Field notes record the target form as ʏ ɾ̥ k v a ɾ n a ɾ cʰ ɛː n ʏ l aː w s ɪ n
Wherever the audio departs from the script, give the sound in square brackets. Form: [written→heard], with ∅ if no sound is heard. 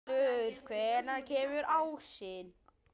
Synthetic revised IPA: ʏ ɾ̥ [k→kʰ] v [a→ɛ] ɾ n a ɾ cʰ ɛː [n→m] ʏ [l→ɾ] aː w s ɪ n